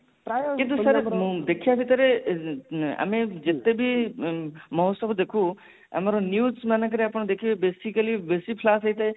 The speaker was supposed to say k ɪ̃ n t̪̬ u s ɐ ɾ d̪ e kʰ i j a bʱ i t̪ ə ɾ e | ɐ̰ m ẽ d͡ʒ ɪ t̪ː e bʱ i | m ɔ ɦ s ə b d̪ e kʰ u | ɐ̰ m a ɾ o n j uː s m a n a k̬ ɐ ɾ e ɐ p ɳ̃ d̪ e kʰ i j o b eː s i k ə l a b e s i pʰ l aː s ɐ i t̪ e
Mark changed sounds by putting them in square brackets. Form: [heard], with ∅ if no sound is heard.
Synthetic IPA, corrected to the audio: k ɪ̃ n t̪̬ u s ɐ ɾ d̪ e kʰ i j a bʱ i t̪ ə ɾ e | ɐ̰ m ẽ d͡ʒ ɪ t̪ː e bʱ i | m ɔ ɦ s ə b d̪ e kʰ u | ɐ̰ m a ɾ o n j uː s m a n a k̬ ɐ ɾ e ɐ p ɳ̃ d̪ e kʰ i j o b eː s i k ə l [i] b e s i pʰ l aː s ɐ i t̪ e